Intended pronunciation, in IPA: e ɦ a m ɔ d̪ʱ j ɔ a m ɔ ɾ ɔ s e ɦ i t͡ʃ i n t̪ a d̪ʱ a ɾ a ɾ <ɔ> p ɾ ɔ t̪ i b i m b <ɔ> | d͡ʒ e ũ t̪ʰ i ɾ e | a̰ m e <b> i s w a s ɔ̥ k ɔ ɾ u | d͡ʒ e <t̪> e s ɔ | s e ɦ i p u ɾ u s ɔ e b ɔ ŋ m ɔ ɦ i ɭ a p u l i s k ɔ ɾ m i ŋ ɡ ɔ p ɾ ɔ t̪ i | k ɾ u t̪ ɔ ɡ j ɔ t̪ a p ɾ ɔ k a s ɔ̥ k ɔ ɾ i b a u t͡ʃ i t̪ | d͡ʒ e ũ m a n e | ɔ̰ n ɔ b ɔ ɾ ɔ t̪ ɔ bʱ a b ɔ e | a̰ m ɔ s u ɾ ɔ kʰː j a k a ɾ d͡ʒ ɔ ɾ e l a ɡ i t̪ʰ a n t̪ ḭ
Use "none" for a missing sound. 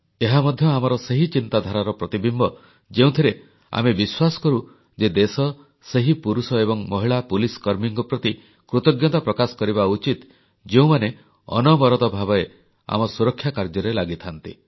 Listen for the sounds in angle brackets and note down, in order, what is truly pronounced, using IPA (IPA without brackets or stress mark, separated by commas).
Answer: ɔ, ɔ, b, d̪